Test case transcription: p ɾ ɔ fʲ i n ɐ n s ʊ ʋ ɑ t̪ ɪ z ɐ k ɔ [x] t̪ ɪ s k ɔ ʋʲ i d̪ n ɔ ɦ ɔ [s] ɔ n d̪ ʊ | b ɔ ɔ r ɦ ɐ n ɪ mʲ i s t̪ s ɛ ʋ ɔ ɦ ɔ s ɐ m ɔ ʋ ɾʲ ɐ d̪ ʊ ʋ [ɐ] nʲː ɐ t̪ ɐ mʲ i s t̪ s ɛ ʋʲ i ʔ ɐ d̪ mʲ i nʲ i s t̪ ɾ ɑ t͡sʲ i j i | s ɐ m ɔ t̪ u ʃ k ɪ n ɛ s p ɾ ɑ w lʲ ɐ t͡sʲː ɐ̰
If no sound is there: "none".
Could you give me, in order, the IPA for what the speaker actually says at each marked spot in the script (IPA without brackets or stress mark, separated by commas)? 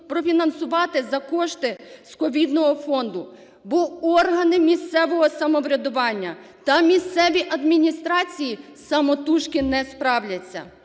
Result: ʃ, f, ɑ